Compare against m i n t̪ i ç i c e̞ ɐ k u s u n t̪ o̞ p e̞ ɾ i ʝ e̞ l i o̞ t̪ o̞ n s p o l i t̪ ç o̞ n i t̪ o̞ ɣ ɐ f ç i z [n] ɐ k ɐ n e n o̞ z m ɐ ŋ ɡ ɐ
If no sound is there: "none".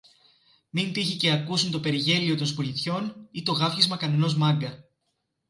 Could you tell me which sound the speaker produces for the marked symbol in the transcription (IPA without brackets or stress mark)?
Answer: m